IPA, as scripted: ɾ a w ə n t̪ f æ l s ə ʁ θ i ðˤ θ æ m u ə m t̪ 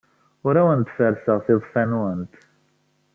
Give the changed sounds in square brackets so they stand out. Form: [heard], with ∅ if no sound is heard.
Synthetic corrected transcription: ɾ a w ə n t̪ f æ [ɾ] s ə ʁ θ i ðˤ [f] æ [n] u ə [n] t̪